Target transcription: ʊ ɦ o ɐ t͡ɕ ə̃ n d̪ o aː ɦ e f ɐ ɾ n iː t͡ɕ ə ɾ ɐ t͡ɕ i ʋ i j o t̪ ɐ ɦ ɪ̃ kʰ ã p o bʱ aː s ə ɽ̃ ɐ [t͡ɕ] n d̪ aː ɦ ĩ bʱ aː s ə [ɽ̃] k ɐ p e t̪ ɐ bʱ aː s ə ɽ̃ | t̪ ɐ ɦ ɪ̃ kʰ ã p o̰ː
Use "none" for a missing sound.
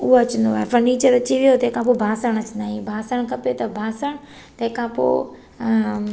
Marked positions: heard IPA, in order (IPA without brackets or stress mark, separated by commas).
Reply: t͡ɕ, ɽ̃